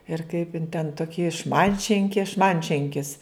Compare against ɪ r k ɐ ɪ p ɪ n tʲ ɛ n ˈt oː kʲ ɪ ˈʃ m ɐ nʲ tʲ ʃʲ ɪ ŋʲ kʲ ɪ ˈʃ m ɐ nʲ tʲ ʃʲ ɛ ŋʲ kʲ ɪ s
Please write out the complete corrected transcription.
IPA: ɪ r k ɐ ɪ p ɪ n tʲ ɛ n ˈt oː kʲ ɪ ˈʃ m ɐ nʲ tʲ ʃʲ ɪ ŋʲ kʲ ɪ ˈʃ m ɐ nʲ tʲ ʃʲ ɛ ŋʲ kʲ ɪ s